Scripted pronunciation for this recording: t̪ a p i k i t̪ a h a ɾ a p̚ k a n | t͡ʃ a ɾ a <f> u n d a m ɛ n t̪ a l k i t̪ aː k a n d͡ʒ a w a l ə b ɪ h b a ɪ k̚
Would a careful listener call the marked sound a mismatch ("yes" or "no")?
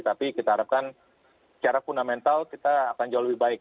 no